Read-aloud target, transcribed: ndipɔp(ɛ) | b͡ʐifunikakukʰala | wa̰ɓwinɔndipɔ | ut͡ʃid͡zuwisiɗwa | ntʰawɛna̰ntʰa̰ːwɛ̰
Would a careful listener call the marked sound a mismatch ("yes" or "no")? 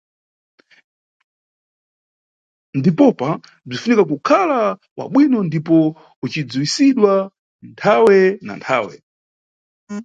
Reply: yes